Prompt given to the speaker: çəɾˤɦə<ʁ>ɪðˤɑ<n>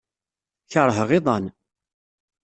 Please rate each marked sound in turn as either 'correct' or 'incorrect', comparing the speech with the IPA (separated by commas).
correct, correct